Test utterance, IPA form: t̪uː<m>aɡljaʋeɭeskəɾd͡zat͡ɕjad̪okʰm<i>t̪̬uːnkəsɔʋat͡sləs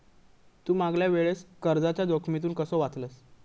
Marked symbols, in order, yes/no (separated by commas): yes, yes